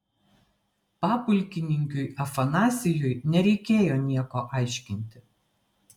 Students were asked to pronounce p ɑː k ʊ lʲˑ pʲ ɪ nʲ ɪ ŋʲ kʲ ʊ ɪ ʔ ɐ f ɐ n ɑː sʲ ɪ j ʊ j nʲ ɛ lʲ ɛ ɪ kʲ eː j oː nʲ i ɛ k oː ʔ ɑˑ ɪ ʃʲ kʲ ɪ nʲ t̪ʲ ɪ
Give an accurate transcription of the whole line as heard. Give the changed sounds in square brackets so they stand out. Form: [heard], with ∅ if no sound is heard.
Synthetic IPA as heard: p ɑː [p] ʊ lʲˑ [kʲ] ɪ nʲ ɪ ŋʲ kʲ ʊ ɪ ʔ ɐ f ɐ n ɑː sʲ ɪ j ʊ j nʲ ɛ [ɾʲ] ɛ ɪ kʲ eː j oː nʲ i ɛ k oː ʔ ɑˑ ɪ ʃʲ kʲ ɪ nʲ t̪ʲ ɪ